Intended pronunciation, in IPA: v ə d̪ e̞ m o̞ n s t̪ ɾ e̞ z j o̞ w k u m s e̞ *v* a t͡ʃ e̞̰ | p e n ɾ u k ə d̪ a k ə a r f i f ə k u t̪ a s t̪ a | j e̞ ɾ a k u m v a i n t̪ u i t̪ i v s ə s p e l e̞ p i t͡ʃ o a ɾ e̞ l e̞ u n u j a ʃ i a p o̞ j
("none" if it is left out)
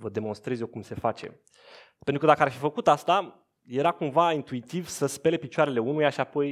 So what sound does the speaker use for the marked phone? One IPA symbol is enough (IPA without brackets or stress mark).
f